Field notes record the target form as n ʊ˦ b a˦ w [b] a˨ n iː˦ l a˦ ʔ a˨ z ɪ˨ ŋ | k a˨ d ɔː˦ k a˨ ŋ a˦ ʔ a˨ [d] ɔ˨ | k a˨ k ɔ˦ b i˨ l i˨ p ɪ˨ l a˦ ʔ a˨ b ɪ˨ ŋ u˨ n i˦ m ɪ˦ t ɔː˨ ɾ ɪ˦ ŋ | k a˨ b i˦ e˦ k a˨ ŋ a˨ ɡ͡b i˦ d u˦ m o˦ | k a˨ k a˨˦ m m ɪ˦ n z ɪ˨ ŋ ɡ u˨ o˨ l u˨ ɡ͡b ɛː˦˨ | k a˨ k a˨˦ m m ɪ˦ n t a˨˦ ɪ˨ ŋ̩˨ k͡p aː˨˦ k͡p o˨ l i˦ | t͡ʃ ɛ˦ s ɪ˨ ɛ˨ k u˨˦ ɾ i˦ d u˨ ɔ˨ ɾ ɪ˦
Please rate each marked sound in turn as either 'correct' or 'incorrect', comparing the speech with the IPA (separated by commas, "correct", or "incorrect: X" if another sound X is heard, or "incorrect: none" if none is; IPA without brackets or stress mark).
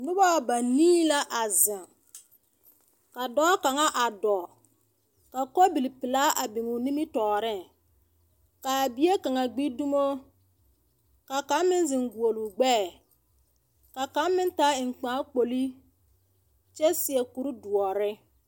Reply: correct, correct